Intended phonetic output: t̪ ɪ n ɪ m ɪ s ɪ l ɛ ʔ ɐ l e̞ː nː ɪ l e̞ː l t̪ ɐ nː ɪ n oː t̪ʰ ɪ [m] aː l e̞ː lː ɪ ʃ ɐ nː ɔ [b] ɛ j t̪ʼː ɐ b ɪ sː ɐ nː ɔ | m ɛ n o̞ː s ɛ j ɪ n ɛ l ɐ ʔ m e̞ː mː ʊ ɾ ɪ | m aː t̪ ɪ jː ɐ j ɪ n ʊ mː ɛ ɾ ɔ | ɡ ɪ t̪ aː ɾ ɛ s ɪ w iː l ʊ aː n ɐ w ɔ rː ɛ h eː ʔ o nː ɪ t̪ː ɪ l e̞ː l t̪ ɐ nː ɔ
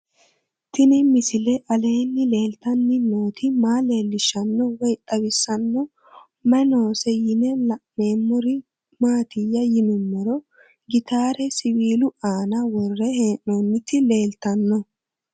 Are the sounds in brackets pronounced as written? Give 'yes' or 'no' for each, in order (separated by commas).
yes, no